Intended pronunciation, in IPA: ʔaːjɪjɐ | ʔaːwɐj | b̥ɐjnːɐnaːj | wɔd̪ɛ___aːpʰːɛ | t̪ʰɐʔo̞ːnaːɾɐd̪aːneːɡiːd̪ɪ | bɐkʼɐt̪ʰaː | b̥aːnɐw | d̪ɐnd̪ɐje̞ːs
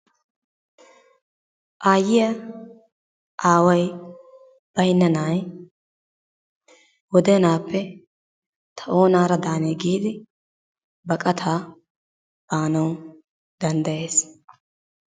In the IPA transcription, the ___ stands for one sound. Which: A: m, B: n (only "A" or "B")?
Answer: B